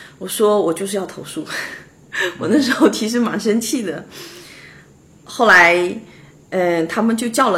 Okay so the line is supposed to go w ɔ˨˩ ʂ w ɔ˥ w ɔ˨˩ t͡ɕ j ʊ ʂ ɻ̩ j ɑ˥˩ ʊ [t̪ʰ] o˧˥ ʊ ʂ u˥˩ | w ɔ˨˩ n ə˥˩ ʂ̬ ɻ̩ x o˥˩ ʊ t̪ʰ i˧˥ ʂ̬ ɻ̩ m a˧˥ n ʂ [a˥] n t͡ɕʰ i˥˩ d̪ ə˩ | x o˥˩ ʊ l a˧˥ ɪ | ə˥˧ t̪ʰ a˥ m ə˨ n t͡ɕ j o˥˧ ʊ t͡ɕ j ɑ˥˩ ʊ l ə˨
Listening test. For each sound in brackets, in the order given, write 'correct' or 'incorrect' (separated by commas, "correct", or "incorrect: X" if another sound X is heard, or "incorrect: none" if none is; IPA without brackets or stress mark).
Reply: correct, incorrect: ə˥